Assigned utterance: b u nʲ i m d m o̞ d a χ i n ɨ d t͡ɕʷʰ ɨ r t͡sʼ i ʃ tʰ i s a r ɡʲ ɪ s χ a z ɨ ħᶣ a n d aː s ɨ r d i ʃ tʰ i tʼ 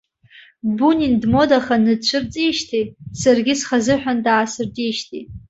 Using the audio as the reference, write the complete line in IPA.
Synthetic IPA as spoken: b u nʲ i n d m o̞ d a χ a n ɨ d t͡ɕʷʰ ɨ r t͡sʼ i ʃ tʰ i s a r ɡʲ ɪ s χ a z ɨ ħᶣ a n d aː s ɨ r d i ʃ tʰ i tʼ